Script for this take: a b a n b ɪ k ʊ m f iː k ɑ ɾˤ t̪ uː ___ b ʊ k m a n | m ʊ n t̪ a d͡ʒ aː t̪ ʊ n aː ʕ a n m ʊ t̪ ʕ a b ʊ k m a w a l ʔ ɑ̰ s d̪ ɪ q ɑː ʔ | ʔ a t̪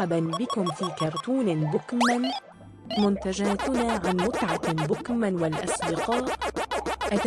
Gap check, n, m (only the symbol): n